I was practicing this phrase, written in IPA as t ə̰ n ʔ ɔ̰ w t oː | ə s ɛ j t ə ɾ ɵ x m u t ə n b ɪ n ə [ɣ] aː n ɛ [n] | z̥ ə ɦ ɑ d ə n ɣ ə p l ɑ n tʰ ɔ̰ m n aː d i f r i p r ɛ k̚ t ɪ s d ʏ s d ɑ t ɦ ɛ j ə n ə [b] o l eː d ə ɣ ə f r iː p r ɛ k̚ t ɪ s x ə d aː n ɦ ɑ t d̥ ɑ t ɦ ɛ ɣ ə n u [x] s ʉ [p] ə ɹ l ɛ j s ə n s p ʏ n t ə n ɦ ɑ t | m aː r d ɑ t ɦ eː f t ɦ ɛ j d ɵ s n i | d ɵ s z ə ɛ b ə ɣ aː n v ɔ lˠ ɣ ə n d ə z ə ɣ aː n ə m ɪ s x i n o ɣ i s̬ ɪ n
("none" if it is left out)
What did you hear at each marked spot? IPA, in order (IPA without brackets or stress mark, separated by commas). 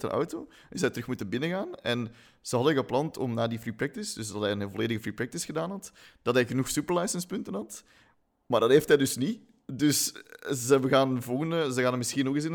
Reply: ɣ, n, v, x, p